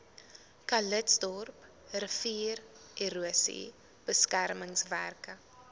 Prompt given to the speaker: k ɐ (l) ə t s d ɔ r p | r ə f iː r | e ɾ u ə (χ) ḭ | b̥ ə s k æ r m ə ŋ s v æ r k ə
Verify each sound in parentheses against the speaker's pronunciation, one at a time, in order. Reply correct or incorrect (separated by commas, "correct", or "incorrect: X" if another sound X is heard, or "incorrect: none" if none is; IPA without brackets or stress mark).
correct, incorrect: s